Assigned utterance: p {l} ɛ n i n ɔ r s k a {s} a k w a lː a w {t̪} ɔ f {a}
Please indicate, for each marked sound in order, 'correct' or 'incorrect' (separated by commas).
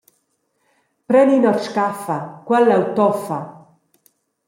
incorrect, incorrect, correct, correct